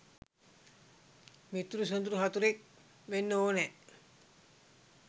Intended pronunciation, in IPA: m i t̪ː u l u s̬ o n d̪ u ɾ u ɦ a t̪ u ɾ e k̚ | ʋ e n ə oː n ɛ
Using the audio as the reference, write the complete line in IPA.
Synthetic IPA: m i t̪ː u ɾ u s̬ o n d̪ u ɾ u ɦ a t̪ u ɾ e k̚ | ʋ e nː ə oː n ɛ